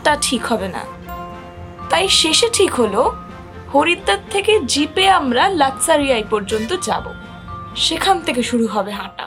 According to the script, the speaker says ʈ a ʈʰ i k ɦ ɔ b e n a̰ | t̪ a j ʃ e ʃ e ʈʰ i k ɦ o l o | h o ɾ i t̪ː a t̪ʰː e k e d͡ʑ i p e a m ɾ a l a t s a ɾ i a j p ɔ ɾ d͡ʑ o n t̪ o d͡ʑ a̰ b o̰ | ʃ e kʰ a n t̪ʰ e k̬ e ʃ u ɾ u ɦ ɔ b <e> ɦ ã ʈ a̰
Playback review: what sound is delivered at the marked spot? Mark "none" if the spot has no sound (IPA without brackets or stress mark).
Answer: e